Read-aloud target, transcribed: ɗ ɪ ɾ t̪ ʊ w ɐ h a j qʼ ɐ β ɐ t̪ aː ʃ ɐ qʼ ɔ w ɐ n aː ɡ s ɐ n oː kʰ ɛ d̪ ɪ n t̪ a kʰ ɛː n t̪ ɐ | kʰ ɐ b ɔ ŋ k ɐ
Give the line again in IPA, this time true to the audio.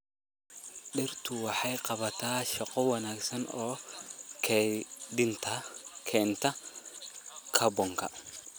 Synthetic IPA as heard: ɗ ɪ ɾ t̪ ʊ w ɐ ħ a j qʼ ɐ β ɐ t̪ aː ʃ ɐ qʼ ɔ w ɐ n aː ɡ s ɐ n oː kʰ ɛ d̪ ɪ n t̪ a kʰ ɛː n t̪ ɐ | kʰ ɐ b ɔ ŋ k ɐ

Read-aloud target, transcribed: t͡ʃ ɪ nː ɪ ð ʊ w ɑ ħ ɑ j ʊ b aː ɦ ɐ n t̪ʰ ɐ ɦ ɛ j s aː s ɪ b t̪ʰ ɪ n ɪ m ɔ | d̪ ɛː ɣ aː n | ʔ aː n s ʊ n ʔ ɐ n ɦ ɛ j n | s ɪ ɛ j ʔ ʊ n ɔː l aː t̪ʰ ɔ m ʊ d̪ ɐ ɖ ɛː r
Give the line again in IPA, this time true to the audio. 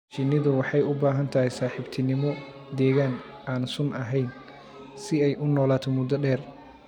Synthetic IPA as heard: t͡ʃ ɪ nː ɪ ð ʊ w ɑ ħ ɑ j ʊ b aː ɦ ɐ n t̪ʰ ɐ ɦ ɛ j s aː ħ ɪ b t̪ʰ ɪ n ɪ m ɔ | d̪ ɛː ɣ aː n | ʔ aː n s ʊ n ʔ ɐ ɦ ɛ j n | s ɪ ɛ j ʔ ʊ n ɔː l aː t̪ʰ ɔ m ʊ d̪ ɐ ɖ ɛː r

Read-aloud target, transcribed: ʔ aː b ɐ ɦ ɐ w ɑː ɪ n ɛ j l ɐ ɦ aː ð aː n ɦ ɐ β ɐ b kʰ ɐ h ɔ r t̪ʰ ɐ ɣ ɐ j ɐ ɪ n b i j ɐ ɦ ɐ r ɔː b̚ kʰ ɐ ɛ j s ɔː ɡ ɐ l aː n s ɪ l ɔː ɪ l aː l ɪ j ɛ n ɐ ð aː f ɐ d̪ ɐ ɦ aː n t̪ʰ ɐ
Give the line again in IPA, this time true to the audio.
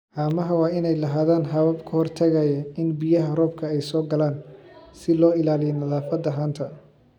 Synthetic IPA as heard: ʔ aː m ɐ ɦ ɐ w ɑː ɪ n ɛ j l ɐ ɦ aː ð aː n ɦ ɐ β ɐ b kʰ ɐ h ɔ r t̪ʰ ɐ ɣ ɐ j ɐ ɪ n b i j ɐ ɦ ɐ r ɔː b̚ kʰ ɐ ɛ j s ɔː ɡ ɐ l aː n s ɪ l ɔː ɪ l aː l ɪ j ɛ n ɐ ð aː f ɐ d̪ ɐ ɦ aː n t̪ʰ ɐ

